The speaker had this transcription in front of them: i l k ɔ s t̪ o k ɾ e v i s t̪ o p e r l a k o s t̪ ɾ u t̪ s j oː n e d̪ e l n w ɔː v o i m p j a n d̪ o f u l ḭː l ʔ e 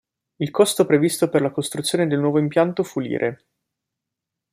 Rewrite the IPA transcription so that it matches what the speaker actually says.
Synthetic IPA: i l k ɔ s t̪ o p ɾ e v i s t̪ o p e r l a k o s t̪ ɾ u t̪ s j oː n e d̪ e l n w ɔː v o i m p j a n t̪ o f u l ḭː ɾ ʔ e

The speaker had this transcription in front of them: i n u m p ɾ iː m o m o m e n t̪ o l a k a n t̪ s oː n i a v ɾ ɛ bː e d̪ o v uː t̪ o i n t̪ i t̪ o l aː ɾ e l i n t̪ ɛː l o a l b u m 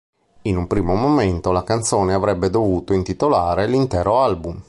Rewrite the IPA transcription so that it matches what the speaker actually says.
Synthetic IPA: i n u m p ɾ iː m o m o m e n t̪ o l a k a n t̪ s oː n e a v ɾ ɛ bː e d̪ o v uː t̪ o i n t̪ i t̪ o l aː ɾ e l i n t̪ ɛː ɾ o a l b u m

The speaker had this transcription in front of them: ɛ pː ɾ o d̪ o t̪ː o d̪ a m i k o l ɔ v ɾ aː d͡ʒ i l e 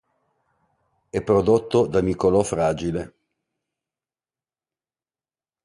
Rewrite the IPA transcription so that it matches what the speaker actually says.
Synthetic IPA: ɛ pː ɾ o d̪ o t̪ː o d̪ a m i k o l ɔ f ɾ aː d͡ʒ i l e

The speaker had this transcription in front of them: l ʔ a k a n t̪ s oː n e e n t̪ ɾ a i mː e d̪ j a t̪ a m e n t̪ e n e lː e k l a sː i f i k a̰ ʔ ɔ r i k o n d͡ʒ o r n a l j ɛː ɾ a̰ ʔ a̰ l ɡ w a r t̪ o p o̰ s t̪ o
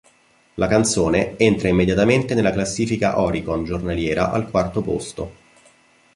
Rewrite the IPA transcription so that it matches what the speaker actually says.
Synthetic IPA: l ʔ a k a n t̪ s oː n e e n t̪ ɾ a i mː e d̪ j a t̪ a m e n t̪ e n e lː a k l a sː iː f i k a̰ ʔ ɔ ɾ i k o n d͡ʒ o r n a l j ɛː ɾ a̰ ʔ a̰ l k w a r t̪ o p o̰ s t̪ o

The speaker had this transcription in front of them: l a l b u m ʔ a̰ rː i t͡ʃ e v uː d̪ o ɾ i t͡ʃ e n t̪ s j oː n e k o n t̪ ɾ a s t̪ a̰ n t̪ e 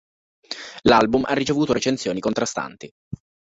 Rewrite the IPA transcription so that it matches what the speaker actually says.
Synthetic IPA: l a l b u m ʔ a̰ rː i t͡ʃ e v uː t̪ o ɾ e t͡ʃ e n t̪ s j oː n i k o n t̪ ɾ a s t̪ a̰ n t̪ i

